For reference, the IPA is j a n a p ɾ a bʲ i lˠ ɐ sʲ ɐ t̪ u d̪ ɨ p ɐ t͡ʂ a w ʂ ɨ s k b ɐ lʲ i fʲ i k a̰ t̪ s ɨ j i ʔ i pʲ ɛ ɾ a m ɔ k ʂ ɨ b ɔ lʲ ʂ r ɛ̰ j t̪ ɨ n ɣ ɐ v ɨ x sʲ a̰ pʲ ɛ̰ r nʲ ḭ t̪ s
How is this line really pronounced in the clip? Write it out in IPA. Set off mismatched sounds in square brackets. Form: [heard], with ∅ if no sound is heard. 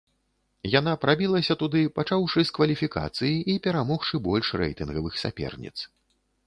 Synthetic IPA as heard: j a n a p ɾ a bʲ i lˠ ɐ sʲ ɐ t̪ u d̪ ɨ p [a] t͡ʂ a w ʂ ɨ s k [v] ɐ lʲ i fʲ i k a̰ t̪ s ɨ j i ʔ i pʲ ɛ ɾ a m ɔ [x] ʂ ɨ b ɔ lʲ ʂ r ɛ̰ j t̪ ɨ n ɣ ɐ v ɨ x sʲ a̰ pʲ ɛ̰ r nʲ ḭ t̪ s